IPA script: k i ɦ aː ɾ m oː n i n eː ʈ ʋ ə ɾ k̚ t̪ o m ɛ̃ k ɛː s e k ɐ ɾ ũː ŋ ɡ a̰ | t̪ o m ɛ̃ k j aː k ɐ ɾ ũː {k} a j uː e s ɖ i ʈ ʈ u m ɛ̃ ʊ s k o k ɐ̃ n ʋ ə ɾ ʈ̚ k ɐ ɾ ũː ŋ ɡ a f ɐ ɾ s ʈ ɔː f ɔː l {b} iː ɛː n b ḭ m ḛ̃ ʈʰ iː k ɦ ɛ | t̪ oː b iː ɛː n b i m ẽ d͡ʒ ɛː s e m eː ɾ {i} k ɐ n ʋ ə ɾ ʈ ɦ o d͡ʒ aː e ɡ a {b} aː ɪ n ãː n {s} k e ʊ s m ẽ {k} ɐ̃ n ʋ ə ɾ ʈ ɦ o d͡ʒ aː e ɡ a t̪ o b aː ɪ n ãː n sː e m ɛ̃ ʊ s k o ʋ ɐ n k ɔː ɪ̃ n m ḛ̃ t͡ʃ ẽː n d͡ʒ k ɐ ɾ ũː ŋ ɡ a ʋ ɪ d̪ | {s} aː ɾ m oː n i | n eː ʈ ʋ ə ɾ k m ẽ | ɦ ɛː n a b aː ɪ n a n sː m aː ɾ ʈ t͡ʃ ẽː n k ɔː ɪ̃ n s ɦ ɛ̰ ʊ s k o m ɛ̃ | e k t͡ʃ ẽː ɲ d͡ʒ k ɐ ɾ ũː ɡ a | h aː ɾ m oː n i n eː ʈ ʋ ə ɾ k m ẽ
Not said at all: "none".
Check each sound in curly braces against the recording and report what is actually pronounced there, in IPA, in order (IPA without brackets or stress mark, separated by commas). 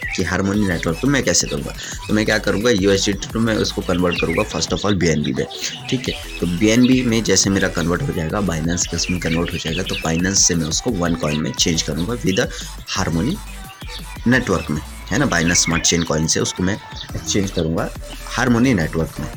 ɡ, b, a, b, s, k, h